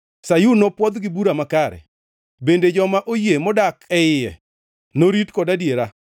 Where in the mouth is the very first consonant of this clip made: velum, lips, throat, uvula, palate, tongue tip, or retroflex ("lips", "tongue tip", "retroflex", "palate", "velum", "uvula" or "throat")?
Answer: tongue tip